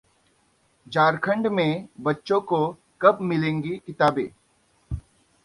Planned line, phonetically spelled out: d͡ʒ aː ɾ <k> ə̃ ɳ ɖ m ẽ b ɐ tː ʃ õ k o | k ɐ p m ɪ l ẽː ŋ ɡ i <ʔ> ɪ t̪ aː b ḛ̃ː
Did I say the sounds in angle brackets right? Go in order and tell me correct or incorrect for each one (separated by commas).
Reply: incorrect, incorrect